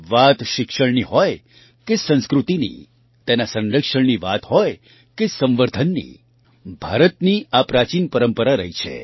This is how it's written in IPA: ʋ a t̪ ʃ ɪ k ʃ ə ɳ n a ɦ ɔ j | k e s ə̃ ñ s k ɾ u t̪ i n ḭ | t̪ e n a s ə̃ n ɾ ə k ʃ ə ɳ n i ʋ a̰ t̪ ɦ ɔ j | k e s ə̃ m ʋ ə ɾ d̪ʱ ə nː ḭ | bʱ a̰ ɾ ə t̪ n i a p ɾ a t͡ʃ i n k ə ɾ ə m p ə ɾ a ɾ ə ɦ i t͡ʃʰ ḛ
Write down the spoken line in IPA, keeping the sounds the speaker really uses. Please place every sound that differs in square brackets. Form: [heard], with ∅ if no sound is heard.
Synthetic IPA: ʋ a t̪ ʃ ɪ k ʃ ə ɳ n [i] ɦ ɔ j | k e s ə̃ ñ s k ɾ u t̪ i n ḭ | t̪ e n a s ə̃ n ɾ ə k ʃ ə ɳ n i ʋ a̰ t̪ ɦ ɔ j | k e s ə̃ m ʋ ə ɾ d̪ʱ ə nː ḭ | bʱ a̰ ɾ ə t̪ n i a p ɾ a t͡ʃ i n [p] ə ɾ ə m p ə ɾ a ɾ ə ɦ i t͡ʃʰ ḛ